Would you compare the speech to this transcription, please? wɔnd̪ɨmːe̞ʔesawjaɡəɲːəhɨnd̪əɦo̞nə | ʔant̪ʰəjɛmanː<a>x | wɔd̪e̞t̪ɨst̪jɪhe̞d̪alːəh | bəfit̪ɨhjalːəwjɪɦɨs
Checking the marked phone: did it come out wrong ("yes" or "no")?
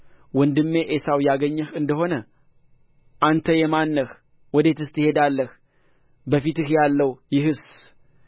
yes